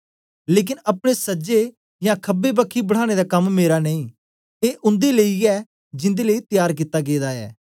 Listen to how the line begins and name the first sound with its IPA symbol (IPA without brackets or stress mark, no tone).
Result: l